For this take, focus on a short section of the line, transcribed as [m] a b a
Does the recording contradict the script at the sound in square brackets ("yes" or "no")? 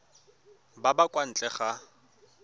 yes